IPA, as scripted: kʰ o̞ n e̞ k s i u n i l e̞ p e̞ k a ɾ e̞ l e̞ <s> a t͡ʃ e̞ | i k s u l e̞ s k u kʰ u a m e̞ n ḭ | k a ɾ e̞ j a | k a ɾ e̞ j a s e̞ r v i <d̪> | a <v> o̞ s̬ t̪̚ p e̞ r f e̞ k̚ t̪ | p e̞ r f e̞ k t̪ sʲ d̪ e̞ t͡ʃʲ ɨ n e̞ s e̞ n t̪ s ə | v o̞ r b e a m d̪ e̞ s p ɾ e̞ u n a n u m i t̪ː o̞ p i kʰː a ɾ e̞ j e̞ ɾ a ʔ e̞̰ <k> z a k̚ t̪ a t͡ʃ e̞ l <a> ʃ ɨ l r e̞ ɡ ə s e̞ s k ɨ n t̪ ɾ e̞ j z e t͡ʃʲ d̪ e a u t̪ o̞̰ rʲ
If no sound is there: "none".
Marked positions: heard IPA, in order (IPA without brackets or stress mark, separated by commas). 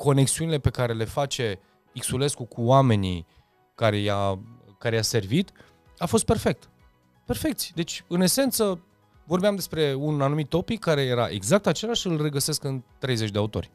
f, t̪, f, ɡ, a